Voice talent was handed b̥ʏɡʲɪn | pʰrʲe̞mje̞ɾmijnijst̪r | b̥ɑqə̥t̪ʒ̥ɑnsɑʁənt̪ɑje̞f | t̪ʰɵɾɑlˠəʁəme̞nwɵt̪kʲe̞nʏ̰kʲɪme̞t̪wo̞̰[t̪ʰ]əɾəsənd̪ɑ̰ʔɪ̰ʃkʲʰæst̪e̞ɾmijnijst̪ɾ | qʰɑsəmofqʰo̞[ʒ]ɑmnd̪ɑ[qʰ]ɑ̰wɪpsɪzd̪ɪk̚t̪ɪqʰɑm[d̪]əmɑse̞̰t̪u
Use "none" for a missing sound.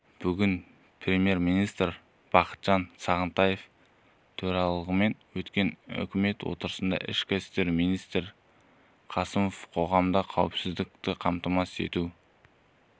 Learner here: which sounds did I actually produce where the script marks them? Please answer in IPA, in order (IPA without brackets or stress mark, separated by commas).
t̪, ʁ, qʰ, t̪